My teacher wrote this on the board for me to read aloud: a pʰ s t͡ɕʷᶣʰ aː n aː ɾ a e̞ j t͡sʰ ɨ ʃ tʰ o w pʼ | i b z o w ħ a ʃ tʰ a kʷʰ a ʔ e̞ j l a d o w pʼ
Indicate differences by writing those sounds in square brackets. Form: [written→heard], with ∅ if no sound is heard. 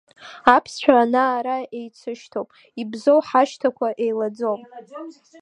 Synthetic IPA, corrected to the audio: a pʰ s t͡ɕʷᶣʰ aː n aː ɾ a e̞ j t͡sʰ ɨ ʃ tʰ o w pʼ | i b z o w ħ a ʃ tʰ a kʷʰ a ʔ e̞ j l a [d→d͡z] o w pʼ